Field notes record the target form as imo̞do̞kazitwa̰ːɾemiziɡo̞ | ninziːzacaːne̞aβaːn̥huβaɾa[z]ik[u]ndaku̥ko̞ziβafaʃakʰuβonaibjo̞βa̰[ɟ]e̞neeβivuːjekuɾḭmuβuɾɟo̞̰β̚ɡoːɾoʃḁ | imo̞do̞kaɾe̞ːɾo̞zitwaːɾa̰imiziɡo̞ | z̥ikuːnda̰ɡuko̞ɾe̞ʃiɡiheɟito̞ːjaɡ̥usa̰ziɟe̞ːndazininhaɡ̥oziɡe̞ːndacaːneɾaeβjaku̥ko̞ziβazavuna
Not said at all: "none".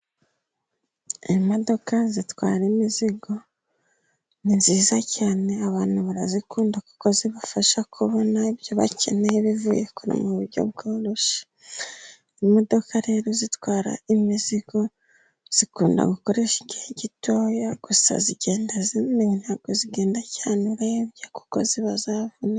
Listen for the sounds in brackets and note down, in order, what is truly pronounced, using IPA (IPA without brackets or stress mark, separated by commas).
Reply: z, uː, c